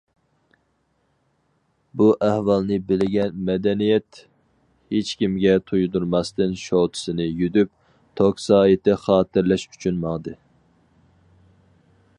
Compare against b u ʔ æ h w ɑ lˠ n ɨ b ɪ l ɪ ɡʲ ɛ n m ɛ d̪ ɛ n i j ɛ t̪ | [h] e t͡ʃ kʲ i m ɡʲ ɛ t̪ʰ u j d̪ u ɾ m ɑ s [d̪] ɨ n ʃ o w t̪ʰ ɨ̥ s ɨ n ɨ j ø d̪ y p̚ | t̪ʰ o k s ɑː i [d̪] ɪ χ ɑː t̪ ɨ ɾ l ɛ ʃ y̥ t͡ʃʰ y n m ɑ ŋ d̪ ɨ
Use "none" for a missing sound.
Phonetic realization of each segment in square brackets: h, t̪, t̪

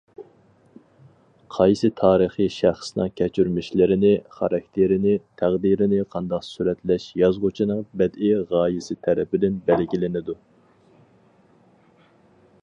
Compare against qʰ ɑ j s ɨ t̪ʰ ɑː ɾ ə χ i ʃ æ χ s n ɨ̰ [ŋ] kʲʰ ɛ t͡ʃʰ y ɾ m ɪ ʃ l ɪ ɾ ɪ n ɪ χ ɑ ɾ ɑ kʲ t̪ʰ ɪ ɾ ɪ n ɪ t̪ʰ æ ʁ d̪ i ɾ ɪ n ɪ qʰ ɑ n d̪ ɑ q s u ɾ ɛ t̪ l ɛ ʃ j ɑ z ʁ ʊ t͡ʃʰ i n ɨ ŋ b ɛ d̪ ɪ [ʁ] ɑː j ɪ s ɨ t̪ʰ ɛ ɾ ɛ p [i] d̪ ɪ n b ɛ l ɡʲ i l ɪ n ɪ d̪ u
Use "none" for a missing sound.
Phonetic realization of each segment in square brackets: ŋ, ʁ, ɪ

